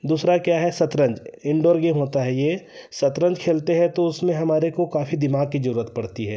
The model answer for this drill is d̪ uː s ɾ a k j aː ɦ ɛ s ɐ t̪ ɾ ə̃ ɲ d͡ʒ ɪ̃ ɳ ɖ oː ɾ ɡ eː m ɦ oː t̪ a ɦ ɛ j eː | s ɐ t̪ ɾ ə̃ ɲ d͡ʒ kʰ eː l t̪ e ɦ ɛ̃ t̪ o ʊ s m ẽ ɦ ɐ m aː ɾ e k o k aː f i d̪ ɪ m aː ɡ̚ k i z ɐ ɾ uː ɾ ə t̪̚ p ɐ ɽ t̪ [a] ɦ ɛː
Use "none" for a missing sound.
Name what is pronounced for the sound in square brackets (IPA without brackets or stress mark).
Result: i